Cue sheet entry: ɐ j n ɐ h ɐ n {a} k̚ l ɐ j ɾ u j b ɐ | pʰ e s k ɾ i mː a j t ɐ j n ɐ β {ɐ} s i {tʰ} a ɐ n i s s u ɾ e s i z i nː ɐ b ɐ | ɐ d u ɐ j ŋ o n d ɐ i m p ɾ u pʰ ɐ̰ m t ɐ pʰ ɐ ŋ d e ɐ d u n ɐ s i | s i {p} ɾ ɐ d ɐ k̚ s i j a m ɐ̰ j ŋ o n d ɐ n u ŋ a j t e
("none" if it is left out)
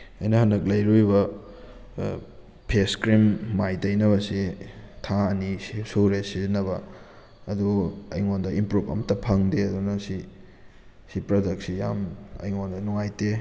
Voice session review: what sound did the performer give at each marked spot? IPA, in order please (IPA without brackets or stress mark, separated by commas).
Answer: ɐ, ɐ, tʰ, p